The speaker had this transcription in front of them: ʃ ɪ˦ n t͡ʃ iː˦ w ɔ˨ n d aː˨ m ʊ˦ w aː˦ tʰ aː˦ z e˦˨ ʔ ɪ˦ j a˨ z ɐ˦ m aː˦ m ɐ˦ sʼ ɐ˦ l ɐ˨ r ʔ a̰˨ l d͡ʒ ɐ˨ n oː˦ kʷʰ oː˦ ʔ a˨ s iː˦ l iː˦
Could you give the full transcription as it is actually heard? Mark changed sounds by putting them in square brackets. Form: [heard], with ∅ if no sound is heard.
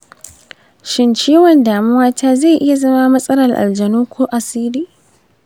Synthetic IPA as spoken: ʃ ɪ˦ n t͡ʃ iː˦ w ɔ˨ n d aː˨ m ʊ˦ w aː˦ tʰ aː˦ z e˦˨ ʔ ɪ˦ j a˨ z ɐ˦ m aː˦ m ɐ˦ sʼ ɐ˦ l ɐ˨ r ʔ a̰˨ l d͡ʒ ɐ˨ n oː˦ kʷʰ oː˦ ʔ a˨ s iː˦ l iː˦

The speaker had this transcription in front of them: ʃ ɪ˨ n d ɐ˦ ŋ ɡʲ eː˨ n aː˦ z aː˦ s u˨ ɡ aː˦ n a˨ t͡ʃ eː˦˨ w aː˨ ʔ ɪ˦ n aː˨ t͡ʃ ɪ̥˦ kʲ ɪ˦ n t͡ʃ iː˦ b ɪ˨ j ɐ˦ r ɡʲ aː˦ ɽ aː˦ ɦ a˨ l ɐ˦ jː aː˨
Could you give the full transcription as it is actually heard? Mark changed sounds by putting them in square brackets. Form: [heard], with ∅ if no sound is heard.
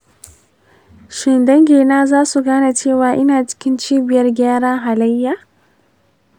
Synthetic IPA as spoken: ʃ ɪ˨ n d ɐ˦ ŋ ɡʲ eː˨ n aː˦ z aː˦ s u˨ ɡ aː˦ n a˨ t͡ʃ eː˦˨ w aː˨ ʔ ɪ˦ n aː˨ t͡ʃ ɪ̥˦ kʲ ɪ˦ n t͡ʃ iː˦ b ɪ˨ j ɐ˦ r ɡʲ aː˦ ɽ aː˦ ɦ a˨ l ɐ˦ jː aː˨

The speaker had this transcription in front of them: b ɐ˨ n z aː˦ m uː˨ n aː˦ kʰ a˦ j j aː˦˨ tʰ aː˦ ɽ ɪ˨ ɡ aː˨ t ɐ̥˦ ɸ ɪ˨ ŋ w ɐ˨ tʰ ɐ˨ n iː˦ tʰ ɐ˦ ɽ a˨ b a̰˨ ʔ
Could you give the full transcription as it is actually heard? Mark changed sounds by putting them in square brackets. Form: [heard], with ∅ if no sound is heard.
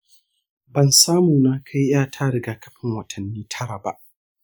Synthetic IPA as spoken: b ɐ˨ n [s] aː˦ m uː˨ n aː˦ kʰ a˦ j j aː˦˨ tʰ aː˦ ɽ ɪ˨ ɡ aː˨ [k] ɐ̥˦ ɸ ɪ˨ ŋ w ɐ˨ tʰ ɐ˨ [nː] iː˦ tʰ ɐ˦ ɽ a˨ b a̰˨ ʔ

